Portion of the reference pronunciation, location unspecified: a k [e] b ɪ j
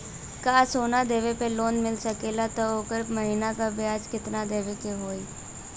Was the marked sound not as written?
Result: yes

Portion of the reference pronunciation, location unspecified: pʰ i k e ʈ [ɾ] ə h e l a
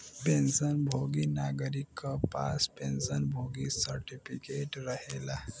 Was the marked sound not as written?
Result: no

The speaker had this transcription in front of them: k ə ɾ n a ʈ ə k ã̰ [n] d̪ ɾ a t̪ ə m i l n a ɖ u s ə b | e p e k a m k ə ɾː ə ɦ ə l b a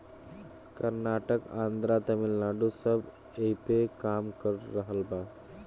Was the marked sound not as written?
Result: no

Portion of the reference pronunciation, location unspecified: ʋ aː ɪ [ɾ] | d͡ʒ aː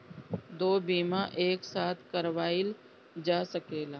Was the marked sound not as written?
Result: yes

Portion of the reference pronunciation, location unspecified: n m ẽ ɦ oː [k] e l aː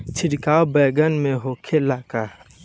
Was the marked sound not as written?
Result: yes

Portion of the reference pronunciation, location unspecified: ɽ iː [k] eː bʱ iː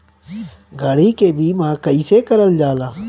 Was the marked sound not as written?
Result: no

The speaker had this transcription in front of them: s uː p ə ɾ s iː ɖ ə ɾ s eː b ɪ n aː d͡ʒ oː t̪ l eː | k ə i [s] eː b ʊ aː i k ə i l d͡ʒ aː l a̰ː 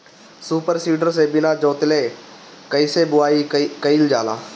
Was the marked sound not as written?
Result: no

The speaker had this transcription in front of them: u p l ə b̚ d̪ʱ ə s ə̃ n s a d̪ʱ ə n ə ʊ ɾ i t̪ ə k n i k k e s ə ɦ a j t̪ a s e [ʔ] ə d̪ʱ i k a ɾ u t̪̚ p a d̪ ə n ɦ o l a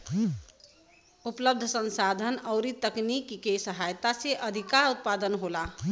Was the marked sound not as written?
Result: no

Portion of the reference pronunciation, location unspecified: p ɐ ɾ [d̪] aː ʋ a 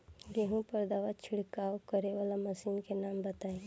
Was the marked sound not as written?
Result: no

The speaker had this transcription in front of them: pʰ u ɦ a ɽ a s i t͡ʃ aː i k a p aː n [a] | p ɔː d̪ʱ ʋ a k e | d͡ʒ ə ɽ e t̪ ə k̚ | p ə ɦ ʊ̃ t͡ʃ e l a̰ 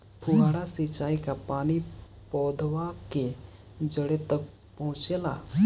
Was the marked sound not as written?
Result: yes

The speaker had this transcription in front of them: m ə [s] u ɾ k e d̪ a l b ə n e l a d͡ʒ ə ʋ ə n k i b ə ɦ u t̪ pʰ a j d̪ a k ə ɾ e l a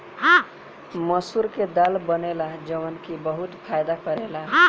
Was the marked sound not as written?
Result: no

